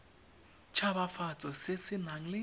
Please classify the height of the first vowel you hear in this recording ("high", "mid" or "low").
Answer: low